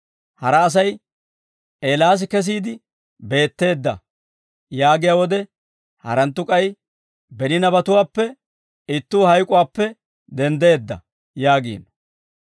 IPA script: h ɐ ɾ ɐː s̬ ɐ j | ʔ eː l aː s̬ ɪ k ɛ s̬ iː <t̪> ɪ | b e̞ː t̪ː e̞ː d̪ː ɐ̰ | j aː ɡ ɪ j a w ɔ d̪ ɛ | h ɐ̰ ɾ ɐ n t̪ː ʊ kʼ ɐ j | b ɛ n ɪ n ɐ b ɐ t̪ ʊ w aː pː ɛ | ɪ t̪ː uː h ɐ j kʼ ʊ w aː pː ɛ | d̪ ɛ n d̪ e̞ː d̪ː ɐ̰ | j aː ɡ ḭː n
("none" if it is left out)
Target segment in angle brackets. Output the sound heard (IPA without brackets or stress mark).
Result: d̪